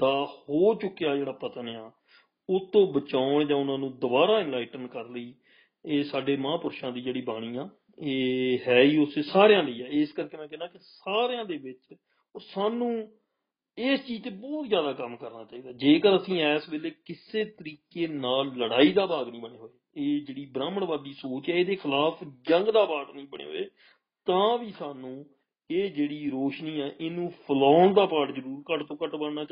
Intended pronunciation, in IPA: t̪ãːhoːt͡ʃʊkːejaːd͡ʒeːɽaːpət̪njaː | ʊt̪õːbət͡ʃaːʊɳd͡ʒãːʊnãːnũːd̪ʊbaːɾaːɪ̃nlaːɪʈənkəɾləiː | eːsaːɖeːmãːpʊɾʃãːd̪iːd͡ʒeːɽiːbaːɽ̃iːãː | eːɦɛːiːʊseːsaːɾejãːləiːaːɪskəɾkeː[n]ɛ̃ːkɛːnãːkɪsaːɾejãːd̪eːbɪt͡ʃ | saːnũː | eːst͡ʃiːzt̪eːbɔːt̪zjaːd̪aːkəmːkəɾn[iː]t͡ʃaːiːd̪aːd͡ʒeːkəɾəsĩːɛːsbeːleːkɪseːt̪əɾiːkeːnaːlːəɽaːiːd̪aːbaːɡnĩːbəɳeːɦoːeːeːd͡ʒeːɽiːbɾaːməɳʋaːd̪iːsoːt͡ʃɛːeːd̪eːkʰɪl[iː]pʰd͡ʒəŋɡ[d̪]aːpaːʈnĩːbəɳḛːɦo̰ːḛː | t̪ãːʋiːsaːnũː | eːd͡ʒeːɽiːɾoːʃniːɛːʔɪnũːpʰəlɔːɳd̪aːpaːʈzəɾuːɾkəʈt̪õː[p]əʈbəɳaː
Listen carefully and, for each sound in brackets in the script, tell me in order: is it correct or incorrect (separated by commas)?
incorrect, incorrect, incorrect, correct, incorrect